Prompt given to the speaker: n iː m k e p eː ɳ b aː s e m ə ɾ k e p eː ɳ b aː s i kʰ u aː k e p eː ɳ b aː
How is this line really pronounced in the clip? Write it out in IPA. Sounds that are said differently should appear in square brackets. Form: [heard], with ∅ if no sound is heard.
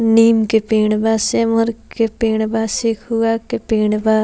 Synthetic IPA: n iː m k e p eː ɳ b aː s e m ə ɾ k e p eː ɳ b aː s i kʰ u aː k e p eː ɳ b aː